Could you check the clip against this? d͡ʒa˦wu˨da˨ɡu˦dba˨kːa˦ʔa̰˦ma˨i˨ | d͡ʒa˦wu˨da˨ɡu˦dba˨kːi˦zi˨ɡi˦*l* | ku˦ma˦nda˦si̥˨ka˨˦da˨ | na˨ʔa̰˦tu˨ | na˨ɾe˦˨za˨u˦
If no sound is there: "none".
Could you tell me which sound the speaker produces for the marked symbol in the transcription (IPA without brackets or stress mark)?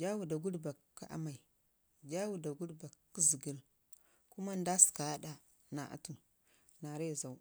l